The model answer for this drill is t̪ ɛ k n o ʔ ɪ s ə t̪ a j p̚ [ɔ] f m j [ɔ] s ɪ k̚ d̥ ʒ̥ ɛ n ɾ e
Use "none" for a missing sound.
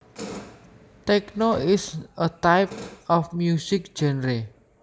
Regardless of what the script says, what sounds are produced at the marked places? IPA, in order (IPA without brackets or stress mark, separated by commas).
ɔ, u